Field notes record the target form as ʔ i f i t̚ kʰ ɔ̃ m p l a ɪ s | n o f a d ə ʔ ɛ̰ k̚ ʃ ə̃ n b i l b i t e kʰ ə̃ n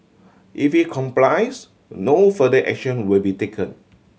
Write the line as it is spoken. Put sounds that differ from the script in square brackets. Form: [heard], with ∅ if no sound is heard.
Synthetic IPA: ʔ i f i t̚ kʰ ɔ̃ m p l a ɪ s | n o f [ə] d ə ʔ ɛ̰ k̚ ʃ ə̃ n [w] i l b i t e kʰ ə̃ n